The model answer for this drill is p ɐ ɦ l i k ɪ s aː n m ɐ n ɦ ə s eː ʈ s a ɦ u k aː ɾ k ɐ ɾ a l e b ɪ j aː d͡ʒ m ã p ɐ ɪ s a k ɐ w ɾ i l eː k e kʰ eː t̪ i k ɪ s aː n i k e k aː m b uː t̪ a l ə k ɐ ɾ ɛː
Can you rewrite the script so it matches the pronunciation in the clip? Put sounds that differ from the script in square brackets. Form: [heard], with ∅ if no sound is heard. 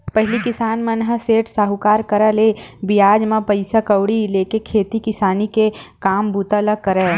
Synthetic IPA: p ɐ ɦ l i k ɪ s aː n m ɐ n ɦ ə s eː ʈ s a ɦ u k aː ɾ k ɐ ɾ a l e b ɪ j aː d͡ʒ m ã p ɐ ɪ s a k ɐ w [ɽ] i l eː k e kʰ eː t̪ i k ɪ s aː n i k e k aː m b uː t̪ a l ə k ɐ ɾ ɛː